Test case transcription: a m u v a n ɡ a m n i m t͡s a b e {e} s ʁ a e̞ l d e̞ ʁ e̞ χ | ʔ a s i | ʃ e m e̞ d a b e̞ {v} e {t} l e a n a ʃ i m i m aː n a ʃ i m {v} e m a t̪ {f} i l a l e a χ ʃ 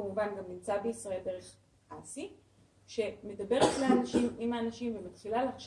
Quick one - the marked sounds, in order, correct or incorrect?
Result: incorrect: i, incorrect: ʁ, correct, correct, incorrect: χ

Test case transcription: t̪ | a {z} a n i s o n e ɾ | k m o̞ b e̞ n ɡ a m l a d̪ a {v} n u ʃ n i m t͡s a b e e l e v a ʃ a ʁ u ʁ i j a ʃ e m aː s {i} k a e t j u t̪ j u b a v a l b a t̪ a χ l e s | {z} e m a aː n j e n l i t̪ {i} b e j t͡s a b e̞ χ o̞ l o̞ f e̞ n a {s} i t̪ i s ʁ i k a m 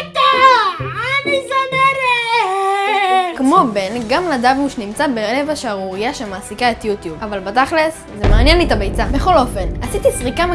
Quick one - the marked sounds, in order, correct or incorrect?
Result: incorrect: none, correct, correct, correct, incorrect: a, correct

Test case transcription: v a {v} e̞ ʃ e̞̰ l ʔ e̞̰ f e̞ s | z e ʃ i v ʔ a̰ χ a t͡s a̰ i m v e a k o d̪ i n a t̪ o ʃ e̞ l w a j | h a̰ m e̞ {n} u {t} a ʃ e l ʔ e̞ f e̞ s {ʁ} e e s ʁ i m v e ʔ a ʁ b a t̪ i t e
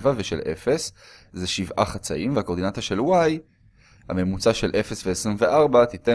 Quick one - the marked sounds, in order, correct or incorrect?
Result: correct, incorrect: m, incorrect: t͡s, incorrect: v

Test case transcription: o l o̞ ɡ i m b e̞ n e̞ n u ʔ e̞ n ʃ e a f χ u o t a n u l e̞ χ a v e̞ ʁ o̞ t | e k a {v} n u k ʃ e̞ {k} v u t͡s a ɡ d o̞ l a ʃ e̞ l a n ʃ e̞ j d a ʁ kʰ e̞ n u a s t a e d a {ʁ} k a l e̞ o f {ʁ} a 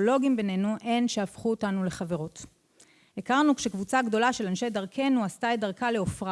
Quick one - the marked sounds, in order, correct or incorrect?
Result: incorrect: ʁ, correct, correct, correct

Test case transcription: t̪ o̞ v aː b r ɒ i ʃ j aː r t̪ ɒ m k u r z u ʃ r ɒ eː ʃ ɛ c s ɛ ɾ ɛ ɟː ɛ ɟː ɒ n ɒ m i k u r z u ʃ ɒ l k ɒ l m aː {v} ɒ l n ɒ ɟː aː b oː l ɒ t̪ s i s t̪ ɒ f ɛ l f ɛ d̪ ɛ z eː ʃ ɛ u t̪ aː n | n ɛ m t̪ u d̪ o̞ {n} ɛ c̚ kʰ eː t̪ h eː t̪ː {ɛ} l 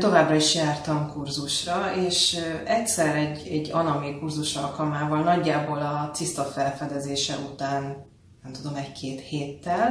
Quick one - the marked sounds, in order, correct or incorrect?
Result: correct, incorrect: m, correct

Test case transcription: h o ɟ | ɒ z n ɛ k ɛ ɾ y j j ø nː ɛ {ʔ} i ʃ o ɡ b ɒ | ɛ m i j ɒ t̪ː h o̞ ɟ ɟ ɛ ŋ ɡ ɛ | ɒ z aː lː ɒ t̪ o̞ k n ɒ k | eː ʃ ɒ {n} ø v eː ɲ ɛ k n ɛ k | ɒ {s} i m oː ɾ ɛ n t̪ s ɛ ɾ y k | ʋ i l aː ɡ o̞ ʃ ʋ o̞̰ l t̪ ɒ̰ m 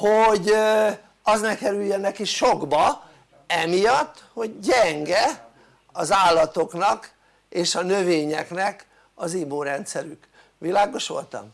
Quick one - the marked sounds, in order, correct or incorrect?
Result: incorrect: k, correct, incorrect: z

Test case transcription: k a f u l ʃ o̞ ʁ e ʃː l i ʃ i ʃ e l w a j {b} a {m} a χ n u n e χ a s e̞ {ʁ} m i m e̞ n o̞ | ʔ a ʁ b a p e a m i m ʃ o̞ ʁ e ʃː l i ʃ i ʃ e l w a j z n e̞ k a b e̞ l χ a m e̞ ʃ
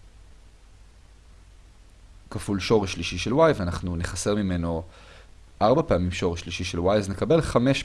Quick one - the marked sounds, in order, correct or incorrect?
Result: incorrect: v, incorrect: n, correct

